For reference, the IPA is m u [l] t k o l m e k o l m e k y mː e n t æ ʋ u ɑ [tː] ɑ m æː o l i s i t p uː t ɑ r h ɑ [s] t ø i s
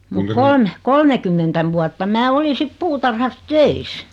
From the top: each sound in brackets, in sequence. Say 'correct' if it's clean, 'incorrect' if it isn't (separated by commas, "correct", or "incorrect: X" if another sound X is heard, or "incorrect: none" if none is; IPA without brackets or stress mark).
incorrect: none, correct, correct